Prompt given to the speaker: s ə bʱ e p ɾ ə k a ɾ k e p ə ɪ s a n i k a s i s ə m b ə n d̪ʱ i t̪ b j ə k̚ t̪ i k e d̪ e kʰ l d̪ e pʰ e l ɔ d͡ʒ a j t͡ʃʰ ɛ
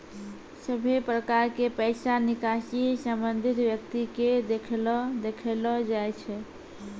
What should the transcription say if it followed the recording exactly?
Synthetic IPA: s ə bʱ e p ɾ ə k a ɾ k e p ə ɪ s a n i k a s i s ə m b ə n d̪ʱ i t̪ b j ə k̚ t̪ i k e d̪ e kʰ l d̪ e kʰ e l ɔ d͡ʒ a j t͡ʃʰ ɛ

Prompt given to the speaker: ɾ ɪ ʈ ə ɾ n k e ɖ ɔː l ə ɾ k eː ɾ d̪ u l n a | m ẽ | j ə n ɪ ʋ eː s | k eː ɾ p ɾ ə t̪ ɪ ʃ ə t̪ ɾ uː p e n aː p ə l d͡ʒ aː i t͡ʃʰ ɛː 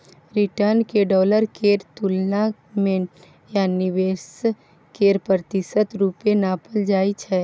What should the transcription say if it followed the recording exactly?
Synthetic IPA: ɾ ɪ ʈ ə ɾ n k e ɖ ɔː l ə ɾ k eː ɾ t̪ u l n a | m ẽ | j a n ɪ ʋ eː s | k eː ɾ p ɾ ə t̪ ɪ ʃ ə t̪ ɾ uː p e n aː p ə l d͡ʒ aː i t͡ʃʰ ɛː

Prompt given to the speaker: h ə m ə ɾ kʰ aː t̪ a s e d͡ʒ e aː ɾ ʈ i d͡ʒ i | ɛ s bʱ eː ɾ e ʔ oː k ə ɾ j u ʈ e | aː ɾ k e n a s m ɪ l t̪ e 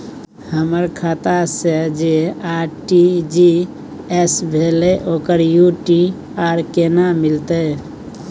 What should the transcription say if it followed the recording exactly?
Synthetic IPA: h ə m ə ɾ kʰ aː t̪ a s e d͡ʒ e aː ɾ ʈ i d͡ʒ i | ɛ s bʱ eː l e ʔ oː k ə ɾ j u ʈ i | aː ɾ k e n a m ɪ l t̪ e

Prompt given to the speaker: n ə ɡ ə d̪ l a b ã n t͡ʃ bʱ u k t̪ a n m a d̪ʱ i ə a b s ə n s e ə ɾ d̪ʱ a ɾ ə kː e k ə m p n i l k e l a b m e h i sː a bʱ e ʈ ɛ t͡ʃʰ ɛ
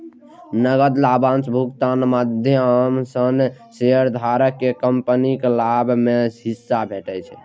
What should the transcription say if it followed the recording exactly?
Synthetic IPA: n ə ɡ ə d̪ l a b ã n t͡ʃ bʱ u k t̪ a n m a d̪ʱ j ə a m s ə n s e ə ɾ d̪ʱ a ɾ ə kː e k ə m p n i k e l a b m e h i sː a bʱ e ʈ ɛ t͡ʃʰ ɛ

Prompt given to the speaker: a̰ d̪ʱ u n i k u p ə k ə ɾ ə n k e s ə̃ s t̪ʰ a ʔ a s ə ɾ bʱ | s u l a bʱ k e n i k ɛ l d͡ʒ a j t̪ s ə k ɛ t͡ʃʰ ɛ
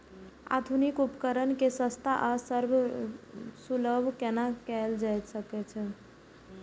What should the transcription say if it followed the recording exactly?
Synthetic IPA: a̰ d̪ʱ u n i k u p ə k ə ɾ ə n k e s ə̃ s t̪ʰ a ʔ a s ə ɾ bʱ | s u l ə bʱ k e n a k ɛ l d͡ʒ a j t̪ s ə k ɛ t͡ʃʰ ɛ

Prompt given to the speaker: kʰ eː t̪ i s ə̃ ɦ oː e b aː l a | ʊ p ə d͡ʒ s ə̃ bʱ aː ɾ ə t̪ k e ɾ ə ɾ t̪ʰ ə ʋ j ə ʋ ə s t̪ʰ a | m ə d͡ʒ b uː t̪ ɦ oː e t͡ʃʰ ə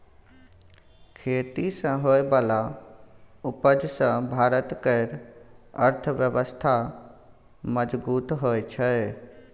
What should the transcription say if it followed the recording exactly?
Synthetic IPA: kʰ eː t̪ i s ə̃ ɦ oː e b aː l a | ʊ p ə d͡ʒ s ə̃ bʱ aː ɾ ə t̪ k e ɾ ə ɾ t̪ʰ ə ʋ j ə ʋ ə s t̪ʰ a | m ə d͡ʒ b uː t̪ ɦ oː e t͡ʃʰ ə

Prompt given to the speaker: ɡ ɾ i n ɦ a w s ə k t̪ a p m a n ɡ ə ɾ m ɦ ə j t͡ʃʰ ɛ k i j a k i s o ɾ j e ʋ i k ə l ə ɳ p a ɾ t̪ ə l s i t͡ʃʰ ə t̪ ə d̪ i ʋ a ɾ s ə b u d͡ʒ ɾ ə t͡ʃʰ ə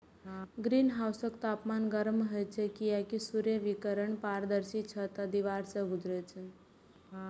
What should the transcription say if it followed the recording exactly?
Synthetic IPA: ɡ ɾ i n ɦ a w s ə k t̪ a p m a n ɡ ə ɾ m ɦ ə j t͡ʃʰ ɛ k i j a k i s u ɾ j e ʋ i k ə ɾ ə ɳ p a ɾ d̪ ə ɾ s i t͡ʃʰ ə t̪ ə d̪ i ʋ a ɾ s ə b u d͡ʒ ɾ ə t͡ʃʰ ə

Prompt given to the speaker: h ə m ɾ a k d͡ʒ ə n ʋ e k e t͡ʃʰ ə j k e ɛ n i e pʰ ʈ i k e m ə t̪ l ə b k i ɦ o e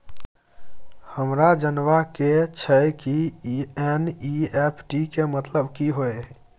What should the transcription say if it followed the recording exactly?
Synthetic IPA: h ə m ɾ a d͡ʒ ə n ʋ a k e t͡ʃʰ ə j k i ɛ n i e pʰ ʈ i k e m ə t̪ l ə b k i ɦ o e

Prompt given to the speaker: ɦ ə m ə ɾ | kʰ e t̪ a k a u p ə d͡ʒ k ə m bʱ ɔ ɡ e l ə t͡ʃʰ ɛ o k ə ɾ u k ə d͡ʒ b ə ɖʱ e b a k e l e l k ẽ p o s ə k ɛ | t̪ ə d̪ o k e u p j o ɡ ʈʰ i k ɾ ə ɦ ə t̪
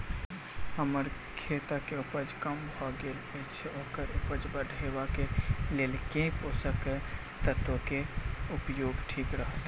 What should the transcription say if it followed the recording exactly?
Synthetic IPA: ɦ ə m ə ɾ | kʰ e t̪ a k e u p ə d͡ʒ k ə m bʱ ɔ ɡ e l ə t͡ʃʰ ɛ o k ə ɾ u p ə d͡ʒ b ə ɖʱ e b a k e l e l k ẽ p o s ə k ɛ | t̪ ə t̪ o k e u p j o ɡ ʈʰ i k ɾ ə ɦ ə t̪

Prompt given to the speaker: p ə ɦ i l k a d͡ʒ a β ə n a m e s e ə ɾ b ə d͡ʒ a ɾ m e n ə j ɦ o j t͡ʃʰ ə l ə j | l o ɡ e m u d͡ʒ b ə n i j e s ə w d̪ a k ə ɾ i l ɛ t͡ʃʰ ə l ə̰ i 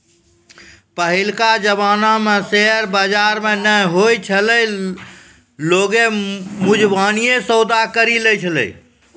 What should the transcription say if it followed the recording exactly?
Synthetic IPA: p ə ɦ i l k a d͡ʒ ə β a n a m e s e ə ɾ b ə d͡ʒ a ɾ m e n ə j ɦ o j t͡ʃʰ ə l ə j | l o ɡ e m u d͡ʒ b a n i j e s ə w d̪ a k ə ɾ i l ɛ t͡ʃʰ ə l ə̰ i

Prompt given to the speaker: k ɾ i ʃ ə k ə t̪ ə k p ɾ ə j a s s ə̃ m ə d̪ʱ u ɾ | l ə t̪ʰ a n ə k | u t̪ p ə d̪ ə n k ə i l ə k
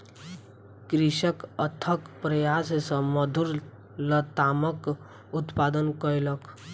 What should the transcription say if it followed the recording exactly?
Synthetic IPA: k ɾ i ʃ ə k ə t̪ʰ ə k p ɾ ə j a s s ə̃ m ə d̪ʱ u ɾ | l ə t̪ a m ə k | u t̪ p a d̪ ə n k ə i l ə k

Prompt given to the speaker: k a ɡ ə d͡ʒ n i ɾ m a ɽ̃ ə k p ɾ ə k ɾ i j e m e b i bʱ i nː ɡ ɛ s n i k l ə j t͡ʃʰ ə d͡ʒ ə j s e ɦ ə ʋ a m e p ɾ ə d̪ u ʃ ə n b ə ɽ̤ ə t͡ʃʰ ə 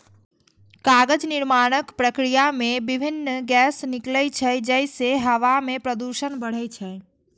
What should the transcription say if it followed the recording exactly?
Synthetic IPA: k a ɡ ə d͡ʒ n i ɾ m a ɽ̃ ə k p ɾ ə k ɾ i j a m e b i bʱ i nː ɡ ɛ s n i k l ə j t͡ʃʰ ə d͡ʒ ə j s e ɦ ə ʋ a m e p ɾ ə d̪ u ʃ ə n b ə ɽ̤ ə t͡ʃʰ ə

